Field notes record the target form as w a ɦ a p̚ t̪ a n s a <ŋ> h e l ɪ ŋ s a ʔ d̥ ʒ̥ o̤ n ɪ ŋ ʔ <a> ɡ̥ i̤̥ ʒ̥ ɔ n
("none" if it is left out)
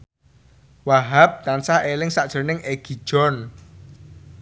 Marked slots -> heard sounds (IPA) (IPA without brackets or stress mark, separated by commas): none, e